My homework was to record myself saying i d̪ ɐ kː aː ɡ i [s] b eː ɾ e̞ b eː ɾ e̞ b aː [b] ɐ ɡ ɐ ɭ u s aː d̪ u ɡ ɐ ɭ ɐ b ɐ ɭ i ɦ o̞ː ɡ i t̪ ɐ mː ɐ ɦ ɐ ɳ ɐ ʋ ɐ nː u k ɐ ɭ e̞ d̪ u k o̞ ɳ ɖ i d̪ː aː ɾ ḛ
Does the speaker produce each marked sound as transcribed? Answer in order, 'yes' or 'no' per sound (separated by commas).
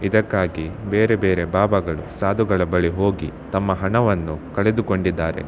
no, yes